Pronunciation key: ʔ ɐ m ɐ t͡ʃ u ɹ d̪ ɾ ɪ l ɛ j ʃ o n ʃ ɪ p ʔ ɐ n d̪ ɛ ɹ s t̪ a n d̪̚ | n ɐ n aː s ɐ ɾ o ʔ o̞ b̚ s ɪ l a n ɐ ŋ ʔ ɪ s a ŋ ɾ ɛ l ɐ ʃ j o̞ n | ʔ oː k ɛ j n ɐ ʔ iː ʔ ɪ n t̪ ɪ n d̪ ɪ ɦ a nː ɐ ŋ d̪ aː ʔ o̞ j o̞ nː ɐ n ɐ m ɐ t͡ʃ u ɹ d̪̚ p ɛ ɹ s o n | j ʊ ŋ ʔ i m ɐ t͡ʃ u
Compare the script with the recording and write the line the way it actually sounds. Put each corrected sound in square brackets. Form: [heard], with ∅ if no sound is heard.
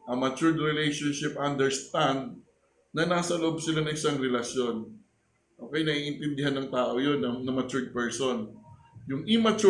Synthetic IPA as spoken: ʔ ɐ m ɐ t͡ʃ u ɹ d̪ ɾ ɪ l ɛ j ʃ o n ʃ ɪ p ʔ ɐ n d̪ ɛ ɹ s t̪ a n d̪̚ | n ɐ n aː s ɐ [l] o ʔ o̞ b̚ s ɪ l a n ɐ ŋ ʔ ɪ s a ŋ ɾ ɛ l ɐ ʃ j o̞ n | ʔ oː k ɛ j n ɐ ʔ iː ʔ ɪ n t̪ ɪ n d̪ ɪ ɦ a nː ɐ ŋ [t̪] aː ʔ o̞ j o̞ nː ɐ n ɐ m ɐ t͡ʃ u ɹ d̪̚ p ɛ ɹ s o n | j ʊ ŋ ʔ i m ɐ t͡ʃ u